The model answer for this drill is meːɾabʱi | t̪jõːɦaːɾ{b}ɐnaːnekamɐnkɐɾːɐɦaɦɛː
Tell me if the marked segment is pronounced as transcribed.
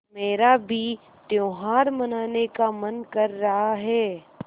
no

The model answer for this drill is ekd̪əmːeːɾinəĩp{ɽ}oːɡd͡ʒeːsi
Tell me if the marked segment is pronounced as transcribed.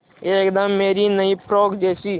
no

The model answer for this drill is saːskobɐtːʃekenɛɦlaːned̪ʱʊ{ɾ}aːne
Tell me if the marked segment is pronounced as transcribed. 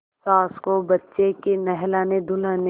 no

